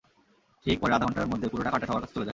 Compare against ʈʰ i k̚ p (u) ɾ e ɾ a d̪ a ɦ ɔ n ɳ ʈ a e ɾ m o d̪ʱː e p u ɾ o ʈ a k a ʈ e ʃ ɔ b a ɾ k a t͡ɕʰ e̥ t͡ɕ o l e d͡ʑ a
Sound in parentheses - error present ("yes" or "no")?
yes